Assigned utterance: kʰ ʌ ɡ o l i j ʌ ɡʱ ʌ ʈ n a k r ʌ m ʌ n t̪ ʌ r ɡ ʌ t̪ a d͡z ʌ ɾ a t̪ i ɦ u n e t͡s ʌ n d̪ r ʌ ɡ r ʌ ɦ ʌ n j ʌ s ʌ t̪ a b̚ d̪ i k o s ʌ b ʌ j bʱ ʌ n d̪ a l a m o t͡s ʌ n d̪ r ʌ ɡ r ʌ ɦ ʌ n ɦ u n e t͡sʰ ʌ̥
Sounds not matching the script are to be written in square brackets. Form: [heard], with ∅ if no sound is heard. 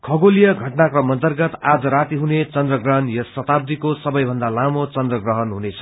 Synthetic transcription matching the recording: kʰ ʌ ɡ o l i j ʌ ɡʱ ʌ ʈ n a k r ʌ m ʌ n t̪ ʌ r ɡ ʌ t̪ a d͡z ʌ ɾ a t̪ i ɦ u n e t͡s ʌ n d̪ r ʌ ɡ r ʌ ɦ ʌ n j ʌ s ʌ t̪ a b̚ d̪ i k o s ʌ b ʌ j bʱ ʌ n d̪ a l a m o t͡s ʌ n d̪ r ʌ ɡ r ʌ ɦ ʌ n ɦ u n e t͡sʰ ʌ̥